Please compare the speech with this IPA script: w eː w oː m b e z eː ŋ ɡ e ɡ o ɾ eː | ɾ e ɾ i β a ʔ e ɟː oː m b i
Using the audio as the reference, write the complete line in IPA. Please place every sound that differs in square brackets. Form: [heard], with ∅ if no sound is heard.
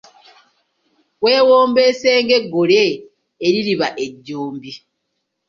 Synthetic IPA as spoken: w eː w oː m b e [s] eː ŋ ɡ e ɡ o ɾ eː | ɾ [i] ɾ i β a ʔ e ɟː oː m b i